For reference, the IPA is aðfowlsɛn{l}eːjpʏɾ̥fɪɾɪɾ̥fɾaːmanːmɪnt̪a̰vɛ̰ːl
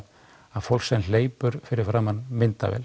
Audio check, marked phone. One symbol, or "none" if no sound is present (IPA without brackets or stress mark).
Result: l